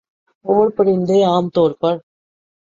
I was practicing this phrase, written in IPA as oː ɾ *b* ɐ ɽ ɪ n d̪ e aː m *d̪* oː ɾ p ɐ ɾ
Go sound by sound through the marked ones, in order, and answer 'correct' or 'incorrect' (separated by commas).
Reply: incorrect, incorrect